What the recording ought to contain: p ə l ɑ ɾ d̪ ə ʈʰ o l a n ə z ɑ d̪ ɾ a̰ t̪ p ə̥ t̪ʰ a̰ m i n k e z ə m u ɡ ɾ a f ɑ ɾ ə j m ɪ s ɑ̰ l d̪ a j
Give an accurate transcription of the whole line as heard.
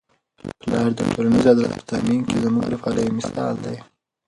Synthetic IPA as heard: p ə l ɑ ɾ d̪ ə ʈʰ o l a n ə z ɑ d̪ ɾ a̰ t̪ p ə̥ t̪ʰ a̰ m i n k e z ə m u ɡ ɾ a f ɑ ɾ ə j m ɪ s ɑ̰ l d̪ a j